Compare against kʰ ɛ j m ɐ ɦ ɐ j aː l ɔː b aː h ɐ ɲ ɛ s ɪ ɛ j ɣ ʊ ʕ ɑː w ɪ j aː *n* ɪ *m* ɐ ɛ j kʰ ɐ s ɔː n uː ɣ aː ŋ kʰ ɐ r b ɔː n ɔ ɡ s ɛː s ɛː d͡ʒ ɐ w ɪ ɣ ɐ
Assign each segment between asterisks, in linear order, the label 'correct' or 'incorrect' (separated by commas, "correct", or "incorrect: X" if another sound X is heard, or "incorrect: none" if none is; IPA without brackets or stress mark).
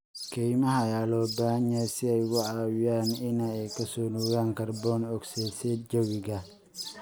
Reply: correct, incorrect: n